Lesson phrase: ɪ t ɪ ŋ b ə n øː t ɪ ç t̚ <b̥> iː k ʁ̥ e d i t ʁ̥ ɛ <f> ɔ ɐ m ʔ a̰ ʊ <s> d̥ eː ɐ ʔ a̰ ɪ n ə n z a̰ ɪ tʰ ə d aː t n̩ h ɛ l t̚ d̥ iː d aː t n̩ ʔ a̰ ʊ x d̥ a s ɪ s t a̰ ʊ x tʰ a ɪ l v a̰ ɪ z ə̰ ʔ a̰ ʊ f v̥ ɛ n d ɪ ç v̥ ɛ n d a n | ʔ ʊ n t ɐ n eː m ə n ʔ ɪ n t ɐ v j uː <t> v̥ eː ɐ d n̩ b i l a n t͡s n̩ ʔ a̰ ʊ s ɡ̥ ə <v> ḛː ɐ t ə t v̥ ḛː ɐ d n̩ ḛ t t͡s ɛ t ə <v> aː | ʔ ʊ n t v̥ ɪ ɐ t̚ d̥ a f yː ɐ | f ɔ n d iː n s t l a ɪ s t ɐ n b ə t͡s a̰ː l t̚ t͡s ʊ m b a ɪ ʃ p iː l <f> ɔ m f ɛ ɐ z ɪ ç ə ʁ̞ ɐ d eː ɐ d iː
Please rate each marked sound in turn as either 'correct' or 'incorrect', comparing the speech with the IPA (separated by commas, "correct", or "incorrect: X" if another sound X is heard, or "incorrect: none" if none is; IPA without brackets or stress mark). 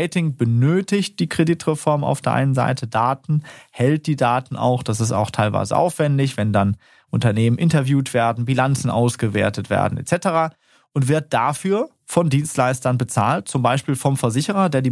incorrect: d̥, correct, incorrect: f, correct, correct, incorrect: ʁ, correct